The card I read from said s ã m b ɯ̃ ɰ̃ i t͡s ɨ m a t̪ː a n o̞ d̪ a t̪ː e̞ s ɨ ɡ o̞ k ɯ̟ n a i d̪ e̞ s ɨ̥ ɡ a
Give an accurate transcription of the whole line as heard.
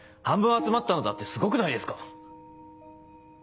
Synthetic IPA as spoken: h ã m b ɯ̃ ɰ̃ a t͡s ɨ m a t̪ː a n o̞ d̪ a t̪ː e̞ s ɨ ɡ o̞ k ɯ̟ n a i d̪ e̞ s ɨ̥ k a